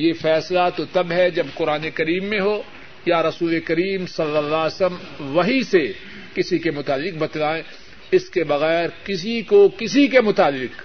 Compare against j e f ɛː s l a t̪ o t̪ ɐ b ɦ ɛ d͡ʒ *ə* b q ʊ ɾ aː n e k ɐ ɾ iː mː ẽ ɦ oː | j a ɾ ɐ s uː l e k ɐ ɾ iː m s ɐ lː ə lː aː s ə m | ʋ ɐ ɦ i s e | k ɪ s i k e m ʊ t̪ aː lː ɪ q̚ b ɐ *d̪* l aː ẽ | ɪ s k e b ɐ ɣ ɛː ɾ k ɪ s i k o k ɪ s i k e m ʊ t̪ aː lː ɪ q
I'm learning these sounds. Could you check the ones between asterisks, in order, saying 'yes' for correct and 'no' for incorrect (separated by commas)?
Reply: no, no